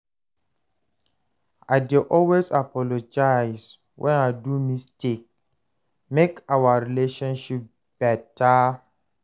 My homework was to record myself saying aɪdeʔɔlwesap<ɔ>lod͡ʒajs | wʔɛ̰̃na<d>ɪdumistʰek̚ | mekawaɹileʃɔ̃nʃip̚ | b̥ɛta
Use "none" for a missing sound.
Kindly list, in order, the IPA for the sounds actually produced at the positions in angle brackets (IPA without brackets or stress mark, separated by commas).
ɔ, none